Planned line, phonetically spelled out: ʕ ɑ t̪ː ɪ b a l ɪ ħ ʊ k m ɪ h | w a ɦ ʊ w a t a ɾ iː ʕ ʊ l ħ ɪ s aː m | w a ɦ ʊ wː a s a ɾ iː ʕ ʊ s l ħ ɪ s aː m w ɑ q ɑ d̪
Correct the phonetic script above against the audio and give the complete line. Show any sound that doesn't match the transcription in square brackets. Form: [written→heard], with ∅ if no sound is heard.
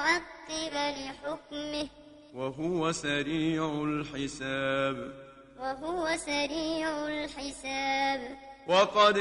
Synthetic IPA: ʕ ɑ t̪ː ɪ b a l ɪ ħ ʊ k m ɪ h | w a ɦ ʊ w a [t→s] a ɾ iː ʕ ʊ l ħ ɪ s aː [m→b] | w a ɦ ʊ [wː→w] a s a ɾ iː ʕ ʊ [s→∅] l ħ ɪ s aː [m→b] w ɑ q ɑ d̪